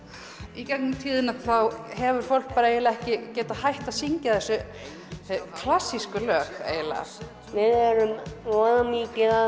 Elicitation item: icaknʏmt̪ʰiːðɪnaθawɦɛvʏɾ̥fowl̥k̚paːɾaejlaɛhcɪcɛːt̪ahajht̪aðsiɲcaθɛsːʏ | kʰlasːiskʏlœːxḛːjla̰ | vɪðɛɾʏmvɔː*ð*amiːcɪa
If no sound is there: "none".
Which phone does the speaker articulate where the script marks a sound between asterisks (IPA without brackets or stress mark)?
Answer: ð